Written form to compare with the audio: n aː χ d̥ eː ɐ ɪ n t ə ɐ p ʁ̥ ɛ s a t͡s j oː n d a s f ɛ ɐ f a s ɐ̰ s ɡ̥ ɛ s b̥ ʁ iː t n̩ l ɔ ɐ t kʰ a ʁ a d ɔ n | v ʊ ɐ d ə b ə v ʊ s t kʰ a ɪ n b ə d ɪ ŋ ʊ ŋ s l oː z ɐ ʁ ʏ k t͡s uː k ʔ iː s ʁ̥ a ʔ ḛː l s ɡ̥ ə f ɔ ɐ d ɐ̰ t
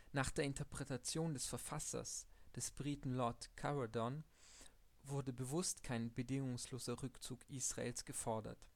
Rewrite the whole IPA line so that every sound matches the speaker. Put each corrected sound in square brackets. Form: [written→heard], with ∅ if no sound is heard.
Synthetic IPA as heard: n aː χ d̥ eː ɐ ɪ n t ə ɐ p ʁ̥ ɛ [s→t] a t͡s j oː n d [a→ɛ] s f ɛ ɐ f a s ɐ̰ s [ɡ̥→d̥] ɛ s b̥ ʁ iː t n̩ l ɔ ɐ t kʰ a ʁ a d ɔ n | v ʊ ɐ d ə b ə v ʊ s t kʰ a ɪ n b ə d ɪ ŋ ʊ ŋ s l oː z ɐ ʁ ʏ k t͡s uː k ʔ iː s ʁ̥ a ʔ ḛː l s ɡ̥ ə f ɔ ɐ d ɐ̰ t